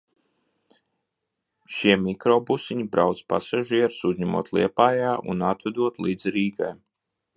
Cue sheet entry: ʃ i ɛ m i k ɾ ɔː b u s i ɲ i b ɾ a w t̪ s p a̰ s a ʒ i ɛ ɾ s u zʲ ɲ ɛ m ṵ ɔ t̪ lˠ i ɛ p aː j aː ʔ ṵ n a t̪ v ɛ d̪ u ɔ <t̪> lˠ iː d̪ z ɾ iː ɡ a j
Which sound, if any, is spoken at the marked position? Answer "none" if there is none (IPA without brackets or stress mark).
t̪